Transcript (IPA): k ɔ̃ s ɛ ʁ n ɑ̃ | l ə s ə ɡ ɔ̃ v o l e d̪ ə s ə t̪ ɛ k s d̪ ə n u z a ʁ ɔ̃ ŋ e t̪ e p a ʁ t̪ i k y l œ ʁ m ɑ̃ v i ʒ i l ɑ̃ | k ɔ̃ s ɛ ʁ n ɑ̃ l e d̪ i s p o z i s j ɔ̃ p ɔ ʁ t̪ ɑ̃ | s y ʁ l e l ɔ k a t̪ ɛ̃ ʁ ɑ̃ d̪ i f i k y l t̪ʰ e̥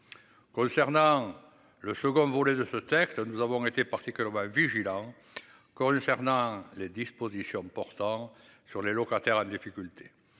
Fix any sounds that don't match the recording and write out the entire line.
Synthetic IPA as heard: k ɔ̃ s ɛ ʁ n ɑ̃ | l ə s ə ɡ ɔ̃ v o l e d̪ ə s ə t̪ ɛ k s t̪ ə n u z a v ɔ̃ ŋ e t̪ e p a ʁ t̪ i k y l ɛ ʁ m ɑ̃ v i ʒ i l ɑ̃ | k ɔ̃ s ɛ ʁ n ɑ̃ l e d̪ i s p o z i s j ɔ̃ p ɔ ʁ t̪ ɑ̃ | s y ʁ l e l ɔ k a t̪ ɛ ʁ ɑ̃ d̪ i f i k y l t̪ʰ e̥